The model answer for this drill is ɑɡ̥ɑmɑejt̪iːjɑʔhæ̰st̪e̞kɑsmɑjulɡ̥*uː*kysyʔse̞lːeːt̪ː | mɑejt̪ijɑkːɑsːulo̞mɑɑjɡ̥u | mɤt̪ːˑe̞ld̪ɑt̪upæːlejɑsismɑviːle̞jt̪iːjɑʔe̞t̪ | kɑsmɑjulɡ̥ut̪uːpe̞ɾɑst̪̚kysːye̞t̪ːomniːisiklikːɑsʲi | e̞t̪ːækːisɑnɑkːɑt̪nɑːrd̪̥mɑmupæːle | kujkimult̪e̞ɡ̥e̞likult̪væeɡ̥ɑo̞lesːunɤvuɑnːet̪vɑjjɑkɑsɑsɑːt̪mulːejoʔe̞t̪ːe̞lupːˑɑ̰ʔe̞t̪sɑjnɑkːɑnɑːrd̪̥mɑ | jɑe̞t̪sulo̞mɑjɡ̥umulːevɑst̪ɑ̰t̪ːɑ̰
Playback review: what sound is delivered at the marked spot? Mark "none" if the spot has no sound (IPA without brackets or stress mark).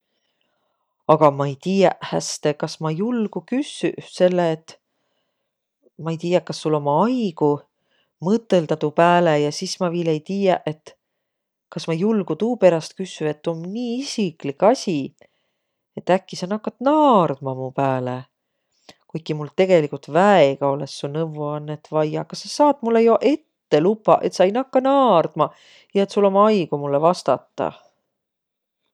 u